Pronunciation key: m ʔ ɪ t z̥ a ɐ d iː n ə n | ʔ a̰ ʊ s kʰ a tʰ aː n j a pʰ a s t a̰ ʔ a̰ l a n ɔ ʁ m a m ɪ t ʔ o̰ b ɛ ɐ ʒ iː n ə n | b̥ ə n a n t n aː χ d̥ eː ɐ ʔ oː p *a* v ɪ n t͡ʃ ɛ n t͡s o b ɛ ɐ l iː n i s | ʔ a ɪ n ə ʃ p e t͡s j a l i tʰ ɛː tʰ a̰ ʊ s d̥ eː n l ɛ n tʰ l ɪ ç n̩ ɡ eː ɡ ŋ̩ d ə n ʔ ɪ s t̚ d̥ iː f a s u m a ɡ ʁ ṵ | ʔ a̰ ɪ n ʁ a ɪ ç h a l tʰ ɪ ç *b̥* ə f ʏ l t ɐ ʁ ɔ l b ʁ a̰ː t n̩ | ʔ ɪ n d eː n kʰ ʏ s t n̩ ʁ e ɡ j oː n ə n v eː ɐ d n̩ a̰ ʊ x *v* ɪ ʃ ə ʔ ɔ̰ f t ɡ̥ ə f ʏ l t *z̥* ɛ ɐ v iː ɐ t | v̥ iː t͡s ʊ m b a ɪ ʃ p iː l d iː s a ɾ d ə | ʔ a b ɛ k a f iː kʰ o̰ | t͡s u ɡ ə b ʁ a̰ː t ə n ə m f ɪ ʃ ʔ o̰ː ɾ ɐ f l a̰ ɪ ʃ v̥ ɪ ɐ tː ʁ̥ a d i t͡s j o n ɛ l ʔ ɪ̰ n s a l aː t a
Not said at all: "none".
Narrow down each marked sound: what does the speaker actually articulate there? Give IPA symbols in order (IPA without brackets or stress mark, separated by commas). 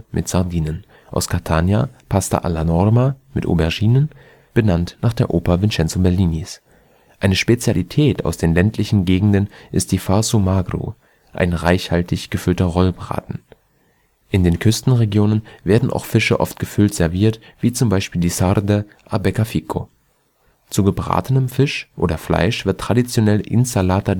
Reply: ɐ, ɡ̥, f, z̥